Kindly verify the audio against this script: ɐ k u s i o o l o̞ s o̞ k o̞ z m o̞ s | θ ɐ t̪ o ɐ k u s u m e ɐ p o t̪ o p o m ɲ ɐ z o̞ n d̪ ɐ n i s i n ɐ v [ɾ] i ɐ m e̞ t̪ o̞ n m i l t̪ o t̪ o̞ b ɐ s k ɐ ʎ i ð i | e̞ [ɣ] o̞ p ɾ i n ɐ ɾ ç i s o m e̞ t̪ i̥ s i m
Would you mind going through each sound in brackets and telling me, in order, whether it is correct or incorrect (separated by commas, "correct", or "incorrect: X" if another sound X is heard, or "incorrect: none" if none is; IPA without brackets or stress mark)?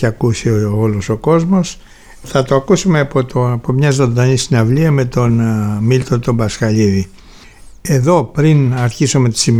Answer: incorrect: l, incorrect: ð